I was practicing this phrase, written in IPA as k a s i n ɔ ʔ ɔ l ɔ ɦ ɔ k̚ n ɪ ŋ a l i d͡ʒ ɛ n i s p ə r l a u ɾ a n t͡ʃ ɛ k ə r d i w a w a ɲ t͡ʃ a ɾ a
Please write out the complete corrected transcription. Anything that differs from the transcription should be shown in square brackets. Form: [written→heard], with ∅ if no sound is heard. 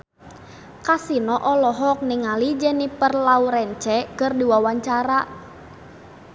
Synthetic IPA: k a s i n ɔ ʔ ɔ l ɔ ɦ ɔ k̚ n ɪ ŋ a l i d͡ʒ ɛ n i [s→∅] p ə r l a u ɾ [a→ɛ] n t͡ʃ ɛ k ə r d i w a w a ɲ t͡ʃ a ɾ a